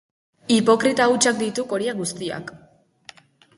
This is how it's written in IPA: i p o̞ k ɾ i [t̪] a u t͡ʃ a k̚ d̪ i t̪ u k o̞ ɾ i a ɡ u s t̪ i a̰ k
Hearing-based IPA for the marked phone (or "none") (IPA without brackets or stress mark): t̪